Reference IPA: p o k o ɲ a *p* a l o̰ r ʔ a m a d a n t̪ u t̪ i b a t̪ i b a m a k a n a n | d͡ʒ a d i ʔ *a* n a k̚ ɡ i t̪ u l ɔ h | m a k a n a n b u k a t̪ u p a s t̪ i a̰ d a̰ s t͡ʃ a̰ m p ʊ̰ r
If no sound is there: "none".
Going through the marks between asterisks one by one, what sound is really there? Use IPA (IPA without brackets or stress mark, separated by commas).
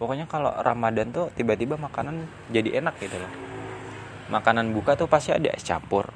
k, e